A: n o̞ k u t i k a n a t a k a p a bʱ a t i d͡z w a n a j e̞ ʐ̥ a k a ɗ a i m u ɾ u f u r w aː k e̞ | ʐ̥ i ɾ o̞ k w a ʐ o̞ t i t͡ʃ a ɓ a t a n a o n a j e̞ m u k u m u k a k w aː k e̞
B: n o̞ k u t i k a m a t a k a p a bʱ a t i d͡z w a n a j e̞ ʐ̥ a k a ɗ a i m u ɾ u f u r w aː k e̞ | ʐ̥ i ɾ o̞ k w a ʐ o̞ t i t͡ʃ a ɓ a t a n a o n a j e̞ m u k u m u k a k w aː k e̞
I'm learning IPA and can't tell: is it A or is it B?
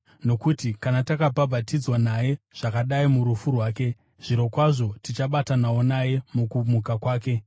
A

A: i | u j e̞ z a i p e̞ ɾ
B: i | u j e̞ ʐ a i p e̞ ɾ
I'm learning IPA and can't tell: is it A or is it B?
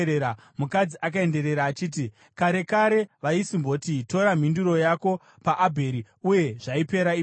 B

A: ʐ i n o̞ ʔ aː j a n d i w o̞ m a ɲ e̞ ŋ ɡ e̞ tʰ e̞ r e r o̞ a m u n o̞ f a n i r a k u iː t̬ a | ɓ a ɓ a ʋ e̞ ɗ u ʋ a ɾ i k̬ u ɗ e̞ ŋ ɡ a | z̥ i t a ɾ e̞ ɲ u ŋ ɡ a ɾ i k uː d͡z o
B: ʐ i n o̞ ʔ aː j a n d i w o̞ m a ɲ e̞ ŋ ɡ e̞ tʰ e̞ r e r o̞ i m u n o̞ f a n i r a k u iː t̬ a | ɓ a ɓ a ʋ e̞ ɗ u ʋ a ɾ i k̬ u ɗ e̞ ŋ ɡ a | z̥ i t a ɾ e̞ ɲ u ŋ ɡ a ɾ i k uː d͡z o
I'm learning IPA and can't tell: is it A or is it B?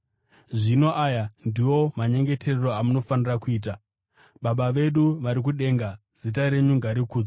A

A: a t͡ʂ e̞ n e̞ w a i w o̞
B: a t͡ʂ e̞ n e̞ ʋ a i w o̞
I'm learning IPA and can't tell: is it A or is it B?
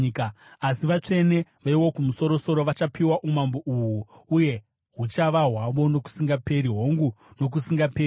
B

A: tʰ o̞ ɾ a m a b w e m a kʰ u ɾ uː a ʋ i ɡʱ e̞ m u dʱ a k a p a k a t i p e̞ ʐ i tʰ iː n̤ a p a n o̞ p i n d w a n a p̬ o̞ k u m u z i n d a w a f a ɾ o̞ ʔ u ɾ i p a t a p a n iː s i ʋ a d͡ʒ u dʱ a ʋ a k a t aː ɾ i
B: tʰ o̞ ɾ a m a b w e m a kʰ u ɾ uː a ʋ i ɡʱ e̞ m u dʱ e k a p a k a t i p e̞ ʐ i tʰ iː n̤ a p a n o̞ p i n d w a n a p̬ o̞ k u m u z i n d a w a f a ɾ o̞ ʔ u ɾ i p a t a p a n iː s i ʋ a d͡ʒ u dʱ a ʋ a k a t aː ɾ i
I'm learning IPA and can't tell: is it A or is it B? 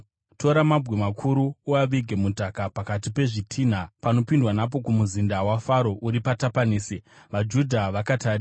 A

